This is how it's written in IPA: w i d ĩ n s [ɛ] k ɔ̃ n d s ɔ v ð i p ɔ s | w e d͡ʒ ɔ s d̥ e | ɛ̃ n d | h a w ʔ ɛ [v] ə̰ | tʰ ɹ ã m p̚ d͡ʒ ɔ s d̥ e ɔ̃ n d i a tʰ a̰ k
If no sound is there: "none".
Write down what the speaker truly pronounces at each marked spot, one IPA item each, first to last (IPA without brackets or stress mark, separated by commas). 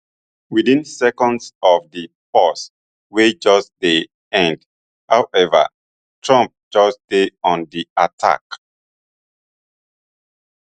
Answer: ɛ, v